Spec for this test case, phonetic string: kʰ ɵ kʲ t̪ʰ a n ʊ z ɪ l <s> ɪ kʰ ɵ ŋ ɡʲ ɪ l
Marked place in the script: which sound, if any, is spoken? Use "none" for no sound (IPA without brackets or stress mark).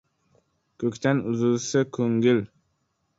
s